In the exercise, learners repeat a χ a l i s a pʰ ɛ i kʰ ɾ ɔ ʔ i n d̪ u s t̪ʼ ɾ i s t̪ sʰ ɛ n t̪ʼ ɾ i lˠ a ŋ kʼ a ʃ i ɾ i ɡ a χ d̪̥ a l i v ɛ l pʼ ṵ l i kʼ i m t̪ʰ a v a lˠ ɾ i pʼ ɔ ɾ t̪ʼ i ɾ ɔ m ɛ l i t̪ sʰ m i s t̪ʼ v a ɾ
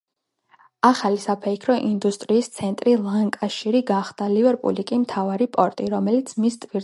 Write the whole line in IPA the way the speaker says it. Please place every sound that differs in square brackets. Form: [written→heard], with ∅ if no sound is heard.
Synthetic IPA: a χ a l i s a pʰ ɛ i kʰ ɾ ɔ ʔ i n d̪ u s t̪ʼ ɾ [i→iː] s t̪ sʰ ɛ n t̪ʼ ɾ i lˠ a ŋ kʼ a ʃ i ɾ i ɡ a χ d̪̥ a l i v ɛ [l→ɾ] pʼ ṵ l i kʼ i m t̪ʰ a v a [lˠ→∅] ɾ i pʼ ɔ ɾ t̪ʼ i ɾ ɔ m ɛ l i t̪ sʰ m i s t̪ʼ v [a→i] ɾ